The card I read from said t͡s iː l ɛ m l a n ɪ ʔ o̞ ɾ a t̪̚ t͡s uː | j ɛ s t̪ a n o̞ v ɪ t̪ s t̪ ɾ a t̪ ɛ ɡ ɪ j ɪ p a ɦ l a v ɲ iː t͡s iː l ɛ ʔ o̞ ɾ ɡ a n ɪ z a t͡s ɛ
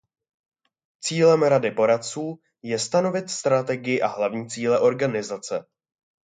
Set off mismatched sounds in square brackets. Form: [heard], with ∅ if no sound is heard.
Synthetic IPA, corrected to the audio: t͡s iː l ɛ m [ɾ] a [d] ɪ [p] o̞ ɾ a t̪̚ t͡s uː | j ɛ s t̪ a n o̞ v ɪ t̪ s t̪ ɾ a t̪ ɛ ɡ ɪ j ɪ [ʔ] a ɦ l a v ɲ iː t͡s iː l ɛ ʔ o̞ ɾ ɡ a n ɪ z a t͡s ɛ